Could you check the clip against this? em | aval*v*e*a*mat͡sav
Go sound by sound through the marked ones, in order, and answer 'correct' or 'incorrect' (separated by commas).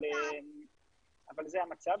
incorrect, correct